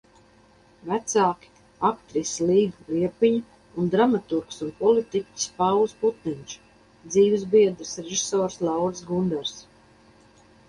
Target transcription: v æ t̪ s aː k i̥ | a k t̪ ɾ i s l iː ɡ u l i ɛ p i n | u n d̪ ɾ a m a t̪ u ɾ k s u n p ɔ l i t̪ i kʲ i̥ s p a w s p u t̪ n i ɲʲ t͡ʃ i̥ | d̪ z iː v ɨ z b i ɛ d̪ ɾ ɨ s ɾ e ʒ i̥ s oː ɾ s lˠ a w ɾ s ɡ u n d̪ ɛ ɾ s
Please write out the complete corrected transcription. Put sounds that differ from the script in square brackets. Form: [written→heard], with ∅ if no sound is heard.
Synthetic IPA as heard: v æ t̪ s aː k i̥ | a k t̪ ɾ i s l iː ɡ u l i ɛ p i [n→ɲ] | u n d̪ ɾ a m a t̪ u ɾ k s u n p ɔ l i t̪ i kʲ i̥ s p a w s p u t̪ n i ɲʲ t͡ʃ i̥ | d̪ z iː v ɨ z b i ɛ d̪ ɾ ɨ s ɾ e ʒ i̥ s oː ɾ s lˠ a w ɾ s ɡ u n d̪ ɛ ɾ s